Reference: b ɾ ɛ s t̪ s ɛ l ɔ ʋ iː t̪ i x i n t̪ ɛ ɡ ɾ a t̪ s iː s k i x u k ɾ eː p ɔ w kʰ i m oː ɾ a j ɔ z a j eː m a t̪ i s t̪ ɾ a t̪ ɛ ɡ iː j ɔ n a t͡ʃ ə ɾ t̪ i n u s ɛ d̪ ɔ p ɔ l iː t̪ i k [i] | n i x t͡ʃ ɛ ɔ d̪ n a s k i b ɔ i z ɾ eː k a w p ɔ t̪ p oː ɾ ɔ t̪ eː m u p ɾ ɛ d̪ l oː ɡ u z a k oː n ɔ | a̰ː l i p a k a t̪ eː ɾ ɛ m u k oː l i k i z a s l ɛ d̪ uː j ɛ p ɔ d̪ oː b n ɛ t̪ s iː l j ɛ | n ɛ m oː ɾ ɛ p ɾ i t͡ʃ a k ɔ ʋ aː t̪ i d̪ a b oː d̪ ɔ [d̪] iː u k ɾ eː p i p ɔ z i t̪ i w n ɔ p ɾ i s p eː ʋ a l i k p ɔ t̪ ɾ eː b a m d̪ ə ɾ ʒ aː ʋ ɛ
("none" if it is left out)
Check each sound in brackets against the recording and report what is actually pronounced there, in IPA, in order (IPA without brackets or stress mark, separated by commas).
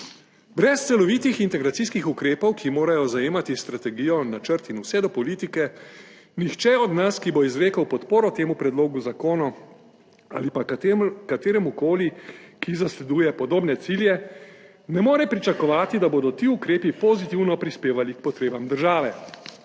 ɛ, t̪